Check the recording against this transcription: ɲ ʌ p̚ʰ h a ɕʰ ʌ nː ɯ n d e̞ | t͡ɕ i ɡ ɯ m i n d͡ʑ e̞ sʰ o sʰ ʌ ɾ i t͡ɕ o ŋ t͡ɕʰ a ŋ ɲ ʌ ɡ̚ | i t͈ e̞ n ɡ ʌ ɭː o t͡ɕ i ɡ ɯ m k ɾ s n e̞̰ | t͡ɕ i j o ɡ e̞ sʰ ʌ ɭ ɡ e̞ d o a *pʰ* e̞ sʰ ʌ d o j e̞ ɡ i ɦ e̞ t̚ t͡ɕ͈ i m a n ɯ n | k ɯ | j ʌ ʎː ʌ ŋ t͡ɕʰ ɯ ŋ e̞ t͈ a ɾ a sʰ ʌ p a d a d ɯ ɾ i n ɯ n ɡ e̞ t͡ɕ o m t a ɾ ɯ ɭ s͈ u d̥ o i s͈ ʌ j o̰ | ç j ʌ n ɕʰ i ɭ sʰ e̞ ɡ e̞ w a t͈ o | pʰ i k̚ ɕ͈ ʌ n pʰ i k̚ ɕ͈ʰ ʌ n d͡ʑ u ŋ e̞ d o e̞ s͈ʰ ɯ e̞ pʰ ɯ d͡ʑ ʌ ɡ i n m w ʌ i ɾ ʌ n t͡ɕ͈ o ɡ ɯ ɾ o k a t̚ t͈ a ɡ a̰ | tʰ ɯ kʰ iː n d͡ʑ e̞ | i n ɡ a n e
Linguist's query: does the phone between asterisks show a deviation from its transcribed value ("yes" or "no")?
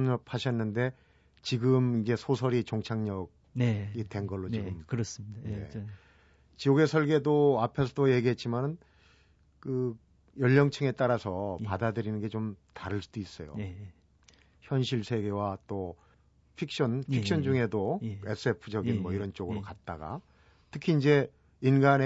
no